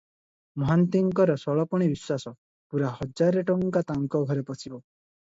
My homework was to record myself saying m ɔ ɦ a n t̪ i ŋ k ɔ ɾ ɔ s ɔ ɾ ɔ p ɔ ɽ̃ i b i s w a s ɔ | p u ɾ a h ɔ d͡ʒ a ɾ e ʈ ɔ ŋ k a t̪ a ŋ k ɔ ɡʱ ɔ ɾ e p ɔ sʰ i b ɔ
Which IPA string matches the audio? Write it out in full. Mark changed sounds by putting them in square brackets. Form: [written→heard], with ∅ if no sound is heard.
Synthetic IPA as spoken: m ɔ ɦ a n t̪ i ŋ k ɔ ɾ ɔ s ɔ [ɾ→ɭ] ɔ p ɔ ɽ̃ i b i s w a s ɔ | p u ɾ a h ɔ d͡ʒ a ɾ e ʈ ɔ ŋ k a t̪ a ŋ k ɔ ɡʱ ɔ ɾ e p ɔ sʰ i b ɔ